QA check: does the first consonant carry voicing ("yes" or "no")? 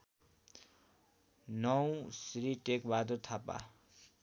yes